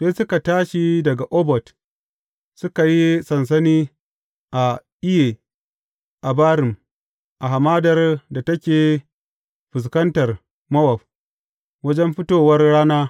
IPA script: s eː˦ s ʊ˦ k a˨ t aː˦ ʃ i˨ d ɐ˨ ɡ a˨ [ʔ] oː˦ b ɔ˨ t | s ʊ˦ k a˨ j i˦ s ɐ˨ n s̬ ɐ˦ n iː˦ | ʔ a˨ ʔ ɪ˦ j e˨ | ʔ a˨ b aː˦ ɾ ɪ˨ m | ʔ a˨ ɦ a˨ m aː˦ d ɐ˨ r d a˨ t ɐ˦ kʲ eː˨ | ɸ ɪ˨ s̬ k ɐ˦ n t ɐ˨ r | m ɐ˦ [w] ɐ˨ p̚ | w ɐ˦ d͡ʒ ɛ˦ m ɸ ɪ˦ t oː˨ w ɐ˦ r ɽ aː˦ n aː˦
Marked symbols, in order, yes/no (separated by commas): yes, yes